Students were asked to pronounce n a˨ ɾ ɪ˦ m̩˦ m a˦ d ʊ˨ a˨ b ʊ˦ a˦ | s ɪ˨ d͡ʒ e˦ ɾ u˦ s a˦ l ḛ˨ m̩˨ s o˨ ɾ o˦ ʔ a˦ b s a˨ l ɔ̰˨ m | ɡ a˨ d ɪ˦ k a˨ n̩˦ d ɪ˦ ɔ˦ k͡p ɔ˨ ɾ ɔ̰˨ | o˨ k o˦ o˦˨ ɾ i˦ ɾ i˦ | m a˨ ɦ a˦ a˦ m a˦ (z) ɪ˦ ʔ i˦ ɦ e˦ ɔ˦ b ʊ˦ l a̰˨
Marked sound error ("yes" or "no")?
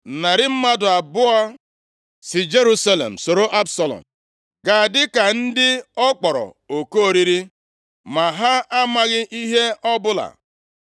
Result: yes